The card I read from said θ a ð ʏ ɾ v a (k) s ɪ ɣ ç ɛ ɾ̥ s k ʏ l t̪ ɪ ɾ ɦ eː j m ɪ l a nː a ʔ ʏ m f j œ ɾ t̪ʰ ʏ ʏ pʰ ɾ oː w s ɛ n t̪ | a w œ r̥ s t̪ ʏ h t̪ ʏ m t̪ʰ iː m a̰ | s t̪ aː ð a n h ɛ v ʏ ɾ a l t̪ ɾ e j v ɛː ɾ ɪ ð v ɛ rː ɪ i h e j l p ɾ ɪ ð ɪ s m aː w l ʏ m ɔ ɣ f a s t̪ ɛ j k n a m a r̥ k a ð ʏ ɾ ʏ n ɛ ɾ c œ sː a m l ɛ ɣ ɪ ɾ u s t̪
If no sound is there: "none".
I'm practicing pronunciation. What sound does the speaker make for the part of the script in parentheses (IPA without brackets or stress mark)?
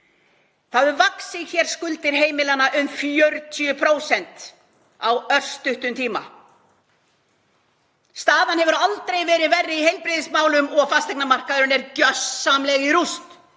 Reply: k